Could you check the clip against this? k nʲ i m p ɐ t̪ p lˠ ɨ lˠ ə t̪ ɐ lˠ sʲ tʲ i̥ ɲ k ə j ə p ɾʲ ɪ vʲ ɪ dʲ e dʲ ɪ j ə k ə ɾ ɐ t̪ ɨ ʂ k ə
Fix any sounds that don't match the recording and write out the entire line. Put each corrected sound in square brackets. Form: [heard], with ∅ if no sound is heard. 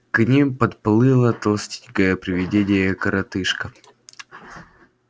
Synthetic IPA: k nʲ i m p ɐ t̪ p lˠ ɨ lˠ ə t̪ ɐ lˠ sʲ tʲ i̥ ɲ k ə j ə p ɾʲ ɪ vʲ ɪ dʲ e dʲ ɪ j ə k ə ɾ ɐ t̪ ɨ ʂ k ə